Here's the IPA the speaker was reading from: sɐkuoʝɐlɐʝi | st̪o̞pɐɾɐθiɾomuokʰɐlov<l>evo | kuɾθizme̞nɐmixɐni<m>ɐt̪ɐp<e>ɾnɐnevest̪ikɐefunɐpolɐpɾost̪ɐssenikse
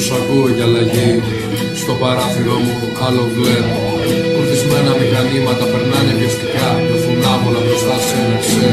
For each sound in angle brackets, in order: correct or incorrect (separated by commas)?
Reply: correct, correct, correct